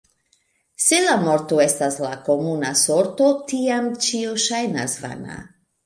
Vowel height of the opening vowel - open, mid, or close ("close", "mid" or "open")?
mid